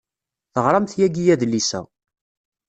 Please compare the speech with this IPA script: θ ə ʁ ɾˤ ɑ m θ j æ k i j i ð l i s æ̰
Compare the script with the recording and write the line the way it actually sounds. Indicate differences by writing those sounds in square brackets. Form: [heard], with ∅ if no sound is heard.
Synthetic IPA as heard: θ ə ʁ ɾˤ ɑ m θ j æ [ɡ] i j [æ] ð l i s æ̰